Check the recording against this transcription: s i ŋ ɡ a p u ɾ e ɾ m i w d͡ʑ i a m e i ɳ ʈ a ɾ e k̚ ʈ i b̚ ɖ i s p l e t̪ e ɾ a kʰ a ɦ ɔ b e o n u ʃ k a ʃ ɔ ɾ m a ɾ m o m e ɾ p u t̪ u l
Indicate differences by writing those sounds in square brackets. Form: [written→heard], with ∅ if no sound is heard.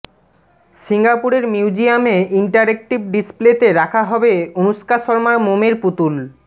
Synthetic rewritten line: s i ŋ ɡ a p u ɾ e ɾ m i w d͡ʑ i a m e i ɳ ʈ a ɾ e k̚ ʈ i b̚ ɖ i s p l e t̪ e ɾ a kʰ a ɦ ɔ b e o n u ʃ k a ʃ ɔ ɾ m a ɾ m o m e ɾ p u t̪ u l